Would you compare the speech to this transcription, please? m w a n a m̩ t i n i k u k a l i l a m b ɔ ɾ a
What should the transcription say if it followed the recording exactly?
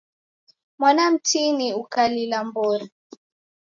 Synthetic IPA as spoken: m w a n a m̩ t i n i u k a l i l a m b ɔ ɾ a